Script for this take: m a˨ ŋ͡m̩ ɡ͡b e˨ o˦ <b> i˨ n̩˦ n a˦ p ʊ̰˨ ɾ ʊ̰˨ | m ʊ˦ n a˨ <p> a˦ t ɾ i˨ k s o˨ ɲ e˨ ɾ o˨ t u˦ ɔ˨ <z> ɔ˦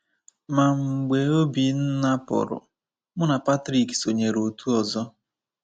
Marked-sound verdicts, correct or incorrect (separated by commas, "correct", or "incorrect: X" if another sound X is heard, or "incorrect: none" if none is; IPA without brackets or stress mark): correct, correct, correct